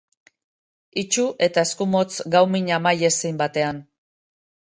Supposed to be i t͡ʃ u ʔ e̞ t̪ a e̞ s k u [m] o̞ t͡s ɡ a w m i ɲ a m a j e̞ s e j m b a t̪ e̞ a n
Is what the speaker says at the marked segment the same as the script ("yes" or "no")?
yes